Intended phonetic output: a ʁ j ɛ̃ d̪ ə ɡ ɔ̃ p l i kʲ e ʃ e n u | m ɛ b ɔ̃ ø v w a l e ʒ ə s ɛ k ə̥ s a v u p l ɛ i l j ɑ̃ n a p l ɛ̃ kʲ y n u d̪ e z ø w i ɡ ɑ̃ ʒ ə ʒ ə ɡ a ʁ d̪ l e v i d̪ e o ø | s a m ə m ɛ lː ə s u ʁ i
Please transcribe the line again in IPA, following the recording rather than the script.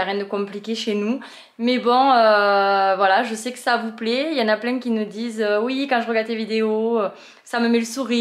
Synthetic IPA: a ʁ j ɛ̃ d̪ ə k ɔ̃ p l i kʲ e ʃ e n u | m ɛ b ɔ̃ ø v w a l a ʒ ə s ɛ k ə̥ s a v u p l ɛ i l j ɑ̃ n a p l ɛ̃ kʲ i n u d̪ i z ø w i k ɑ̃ ʒ ə ʁ ə ɡ a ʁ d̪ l e v i d̪ e o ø | s a m ə m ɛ l ə s u ʁ i